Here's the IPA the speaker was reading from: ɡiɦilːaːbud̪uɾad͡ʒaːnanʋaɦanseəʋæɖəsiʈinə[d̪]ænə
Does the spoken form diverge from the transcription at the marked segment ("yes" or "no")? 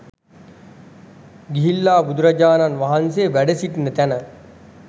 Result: yes